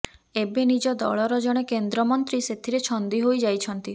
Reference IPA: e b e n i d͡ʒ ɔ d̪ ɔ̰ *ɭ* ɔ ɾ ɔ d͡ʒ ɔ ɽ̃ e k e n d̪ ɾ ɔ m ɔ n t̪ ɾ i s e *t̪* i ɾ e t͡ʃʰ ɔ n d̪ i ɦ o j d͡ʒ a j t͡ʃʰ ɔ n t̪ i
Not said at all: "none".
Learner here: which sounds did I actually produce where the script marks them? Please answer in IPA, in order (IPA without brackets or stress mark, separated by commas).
ɭ, t̪ʰ